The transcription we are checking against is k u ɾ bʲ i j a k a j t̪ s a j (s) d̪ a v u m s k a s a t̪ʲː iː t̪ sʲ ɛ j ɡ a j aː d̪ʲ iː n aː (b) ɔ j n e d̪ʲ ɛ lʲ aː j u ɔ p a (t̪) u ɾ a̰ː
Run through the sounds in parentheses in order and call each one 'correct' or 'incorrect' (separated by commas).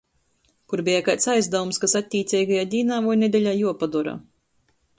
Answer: incorrect, incorrect, incorrect